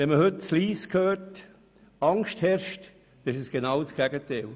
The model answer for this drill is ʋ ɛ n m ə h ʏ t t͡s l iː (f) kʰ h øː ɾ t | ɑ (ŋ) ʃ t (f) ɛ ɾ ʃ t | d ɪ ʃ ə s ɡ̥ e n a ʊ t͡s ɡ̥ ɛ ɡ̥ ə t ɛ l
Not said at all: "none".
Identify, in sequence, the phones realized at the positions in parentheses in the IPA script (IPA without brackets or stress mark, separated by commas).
s, ŋ, h